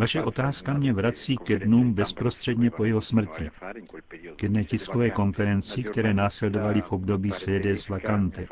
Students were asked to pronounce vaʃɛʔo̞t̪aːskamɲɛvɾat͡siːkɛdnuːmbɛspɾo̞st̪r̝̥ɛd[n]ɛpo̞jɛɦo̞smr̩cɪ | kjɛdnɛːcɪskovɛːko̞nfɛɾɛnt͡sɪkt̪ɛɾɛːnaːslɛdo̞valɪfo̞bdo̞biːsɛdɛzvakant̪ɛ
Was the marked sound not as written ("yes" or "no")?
yes